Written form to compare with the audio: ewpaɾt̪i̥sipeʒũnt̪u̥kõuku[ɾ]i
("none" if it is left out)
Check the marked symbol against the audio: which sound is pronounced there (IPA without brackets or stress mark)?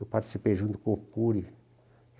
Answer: ɾ